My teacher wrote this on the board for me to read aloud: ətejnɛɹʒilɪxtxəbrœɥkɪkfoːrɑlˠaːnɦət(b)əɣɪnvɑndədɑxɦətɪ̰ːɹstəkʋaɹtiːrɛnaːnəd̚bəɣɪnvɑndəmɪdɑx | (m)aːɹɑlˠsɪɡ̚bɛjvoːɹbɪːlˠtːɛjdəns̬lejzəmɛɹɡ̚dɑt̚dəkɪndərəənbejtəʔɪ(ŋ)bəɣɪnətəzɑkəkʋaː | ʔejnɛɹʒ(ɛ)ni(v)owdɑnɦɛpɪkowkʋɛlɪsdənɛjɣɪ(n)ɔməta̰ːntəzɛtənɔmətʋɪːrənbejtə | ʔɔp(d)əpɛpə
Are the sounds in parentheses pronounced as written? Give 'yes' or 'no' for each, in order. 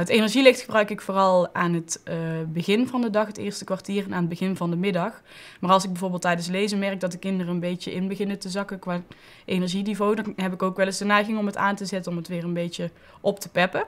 yes, yes, no, no, yes, no, no

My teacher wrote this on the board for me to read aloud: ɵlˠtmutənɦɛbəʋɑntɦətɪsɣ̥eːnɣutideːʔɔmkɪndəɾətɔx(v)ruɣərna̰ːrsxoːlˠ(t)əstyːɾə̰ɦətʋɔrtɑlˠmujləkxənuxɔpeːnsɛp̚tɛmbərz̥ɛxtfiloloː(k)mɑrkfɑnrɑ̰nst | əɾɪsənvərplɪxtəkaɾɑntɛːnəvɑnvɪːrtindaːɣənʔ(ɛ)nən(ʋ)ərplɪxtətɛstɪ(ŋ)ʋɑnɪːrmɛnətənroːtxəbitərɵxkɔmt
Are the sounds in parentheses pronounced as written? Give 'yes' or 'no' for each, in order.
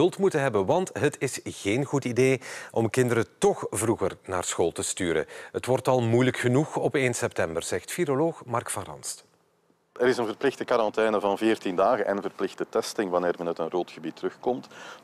yes, yes, no, yes, no, yes

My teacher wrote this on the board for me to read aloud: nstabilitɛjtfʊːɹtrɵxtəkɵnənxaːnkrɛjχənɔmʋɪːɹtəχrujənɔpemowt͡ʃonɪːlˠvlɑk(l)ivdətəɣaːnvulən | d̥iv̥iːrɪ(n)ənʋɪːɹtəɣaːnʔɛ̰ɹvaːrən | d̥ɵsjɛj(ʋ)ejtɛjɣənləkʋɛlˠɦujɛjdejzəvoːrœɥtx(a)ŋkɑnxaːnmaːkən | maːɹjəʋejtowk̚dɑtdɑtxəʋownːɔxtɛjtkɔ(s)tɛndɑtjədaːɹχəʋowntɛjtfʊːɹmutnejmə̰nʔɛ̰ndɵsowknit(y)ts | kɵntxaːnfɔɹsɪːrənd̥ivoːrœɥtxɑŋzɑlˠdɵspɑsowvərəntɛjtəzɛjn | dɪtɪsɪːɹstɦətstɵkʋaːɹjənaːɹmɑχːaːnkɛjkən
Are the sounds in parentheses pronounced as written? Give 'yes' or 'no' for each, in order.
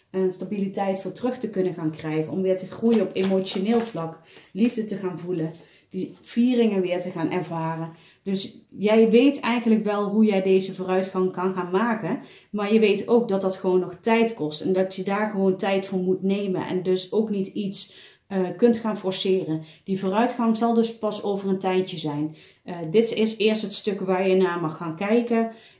yes, no, yes, no, yes, no

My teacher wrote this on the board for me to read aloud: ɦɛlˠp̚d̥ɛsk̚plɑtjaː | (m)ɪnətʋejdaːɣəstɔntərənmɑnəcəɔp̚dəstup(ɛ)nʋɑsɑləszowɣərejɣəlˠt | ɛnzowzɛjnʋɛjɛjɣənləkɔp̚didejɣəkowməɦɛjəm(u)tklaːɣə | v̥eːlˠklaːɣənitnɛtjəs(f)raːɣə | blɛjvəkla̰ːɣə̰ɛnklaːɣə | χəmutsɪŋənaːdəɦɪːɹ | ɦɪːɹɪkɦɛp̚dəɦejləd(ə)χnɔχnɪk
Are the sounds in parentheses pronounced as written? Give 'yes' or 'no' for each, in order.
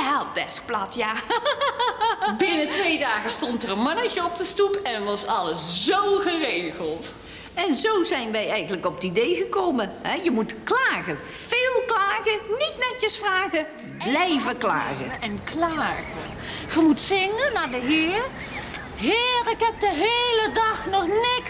no, yes, yes, yes, no

